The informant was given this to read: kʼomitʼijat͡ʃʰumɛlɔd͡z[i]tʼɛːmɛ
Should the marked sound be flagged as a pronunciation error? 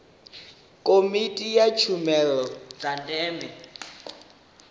yes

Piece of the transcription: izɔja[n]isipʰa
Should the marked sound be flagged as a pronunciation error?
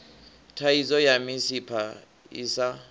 yes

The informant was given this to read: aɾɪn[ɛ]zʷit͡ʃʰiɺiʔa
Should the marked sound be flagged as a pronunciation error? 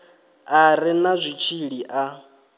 yes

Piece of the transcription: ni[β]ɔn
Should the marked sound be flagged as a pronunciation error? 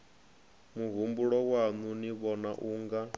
no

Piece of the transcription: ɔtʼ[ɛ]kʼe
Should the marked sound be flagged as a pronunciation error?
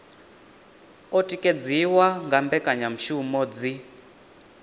yes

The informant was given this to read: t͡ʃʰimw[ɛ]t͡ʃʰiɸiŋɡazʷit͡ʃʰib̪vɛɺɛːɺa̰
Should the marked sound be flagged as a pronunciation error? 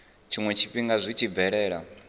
no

